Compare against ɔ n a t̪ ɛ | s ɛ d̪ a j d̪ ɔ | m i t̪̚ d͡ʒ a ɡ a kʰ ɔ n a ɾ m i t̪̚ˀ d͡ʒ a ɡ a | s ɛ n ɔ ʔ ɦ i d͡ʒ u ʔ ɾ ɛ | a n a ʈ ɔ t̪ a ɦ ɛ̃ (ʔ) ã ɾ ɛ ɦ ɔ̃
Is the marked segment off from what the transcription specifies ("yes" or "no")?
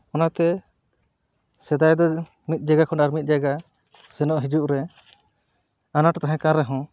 yes